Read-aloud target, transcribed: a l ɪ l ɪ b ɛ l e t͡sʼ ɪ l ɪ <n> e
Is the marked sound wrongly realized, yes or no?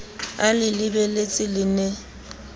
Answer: no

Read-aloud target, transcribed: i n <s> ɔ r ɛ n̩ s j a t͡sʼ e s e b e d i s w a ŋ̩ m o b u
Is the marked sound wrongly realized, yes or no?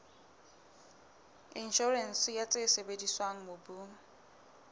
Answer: yes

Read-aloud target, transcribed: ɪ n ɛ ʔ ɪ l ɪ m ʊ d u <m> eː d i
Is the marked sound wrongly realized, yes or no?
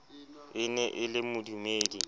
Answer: no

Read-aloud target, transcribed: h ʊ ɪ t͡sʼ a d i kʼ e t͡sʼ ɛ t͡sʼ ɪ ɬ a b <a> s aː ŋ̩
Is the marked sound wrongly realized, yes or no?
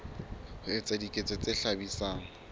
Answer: yes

